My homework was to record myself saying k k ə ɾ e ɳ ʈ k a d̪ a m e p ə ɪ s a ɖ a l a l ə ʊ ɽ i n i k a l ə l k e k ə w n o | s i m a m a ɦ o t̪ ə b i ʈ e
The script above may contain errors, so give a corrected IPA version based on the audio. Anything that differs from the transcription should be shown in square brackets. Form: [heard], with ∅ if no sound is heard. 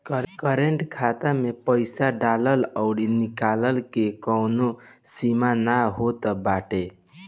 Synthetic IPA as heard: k k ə ɾ e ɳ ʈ [kʰ] a [t̪] a m e p ə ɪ s a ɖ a l [ə] l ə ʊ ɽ i n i k a l ə l k e k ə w n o | s i m a [n] a ɦ o t̪ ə b [a] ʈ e